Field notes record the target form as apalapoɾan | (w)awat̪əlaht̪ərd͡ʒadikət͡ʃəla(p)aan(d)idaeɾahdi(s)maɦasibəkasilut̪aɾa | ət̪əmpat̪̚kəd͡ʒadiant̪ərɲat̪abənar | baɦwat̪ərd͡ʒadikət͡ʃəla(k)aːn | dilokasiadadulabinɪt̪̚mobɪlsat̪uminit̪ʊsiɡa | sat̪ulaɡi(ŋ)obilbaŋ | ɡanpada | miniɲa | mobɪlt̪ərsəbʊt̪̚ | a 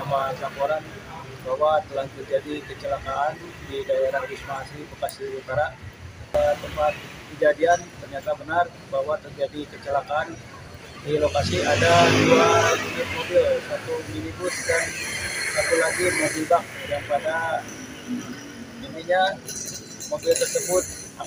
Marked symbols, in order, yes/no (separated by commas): no, no, yes, yes, yes, no